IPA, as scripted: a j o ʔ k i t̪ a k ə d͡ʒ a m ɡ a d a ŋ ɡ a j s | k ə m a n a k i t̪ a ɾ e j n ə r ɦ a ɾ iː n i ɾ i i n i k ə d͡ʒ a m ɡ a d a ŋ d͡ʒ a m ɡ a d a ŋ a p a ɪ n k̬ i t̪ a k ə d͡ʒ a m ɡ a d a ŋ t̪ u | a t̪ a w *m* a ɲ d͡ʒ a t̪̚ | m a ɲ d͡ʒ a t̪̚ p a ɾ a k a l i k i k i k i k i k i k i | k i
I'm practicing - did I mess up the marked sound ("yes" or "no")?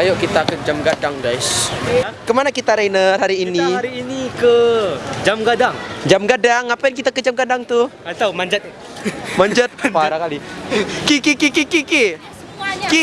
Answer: no